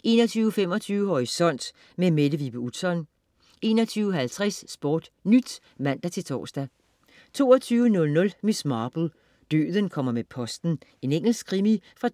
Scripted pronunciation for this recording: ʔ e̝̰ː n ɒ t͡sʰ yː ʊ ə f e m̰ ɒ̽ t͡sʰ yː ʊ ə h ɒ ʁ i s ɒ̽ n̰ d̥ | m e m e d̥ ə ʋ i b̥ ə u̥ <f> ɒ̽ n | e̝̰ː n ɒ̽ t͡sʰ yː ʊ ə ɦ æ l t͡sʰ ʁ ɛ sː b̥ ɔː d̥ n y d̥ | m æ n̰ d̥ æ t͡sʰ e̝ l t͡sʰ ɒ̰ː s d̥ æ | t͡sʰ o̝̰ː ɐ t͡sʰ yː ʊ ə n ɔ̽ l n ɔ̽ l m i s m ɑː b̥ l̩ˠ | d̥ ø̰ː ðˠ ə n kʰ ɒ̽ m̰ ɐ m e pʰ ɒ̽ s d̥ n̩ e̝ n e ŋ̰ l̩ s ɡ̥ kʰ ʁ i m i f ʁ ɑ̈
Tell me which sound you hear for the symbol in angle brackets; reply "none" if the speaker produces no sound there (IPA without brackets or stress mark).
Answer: s